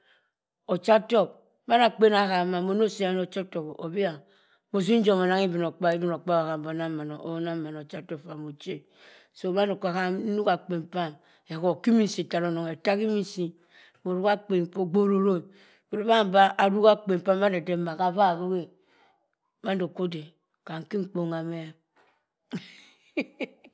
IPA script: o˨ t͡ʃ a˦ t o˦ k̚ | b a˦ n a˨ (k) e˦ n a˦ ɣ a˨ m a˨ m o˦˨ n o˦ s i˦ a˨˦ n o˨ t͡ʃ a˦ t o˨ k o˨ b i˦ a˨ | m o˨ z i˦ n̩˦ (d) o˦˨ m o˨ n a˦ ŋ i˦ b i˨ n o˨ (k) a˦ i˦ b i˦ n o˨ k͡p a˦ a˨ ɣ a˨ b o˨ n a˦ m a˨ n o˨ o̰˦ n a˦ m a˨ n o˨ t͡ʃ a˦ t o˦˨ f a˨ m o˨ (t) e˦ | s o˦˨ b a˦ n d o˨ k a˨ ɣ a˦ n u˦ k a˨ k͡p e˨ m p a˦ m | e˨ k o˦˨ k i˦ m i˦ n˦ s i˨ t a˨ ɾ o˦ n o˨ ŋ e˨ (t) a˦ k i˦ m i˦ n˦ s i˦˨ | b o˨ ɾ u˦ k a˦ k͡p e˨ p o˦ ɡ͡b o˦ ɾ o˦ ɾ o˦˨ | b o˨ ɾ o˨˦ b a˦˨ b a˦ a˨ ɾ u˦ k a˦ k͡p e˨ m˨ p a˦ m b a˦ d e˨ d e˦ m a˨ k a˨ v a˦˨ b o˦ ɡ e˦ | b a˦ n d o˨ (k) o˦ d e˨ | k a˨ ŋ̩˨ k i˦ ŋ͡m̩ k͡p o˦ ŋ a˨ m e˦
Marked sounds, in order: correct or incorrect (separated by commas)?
incorrect, incorrect, incorrect, incorrect, correct, correct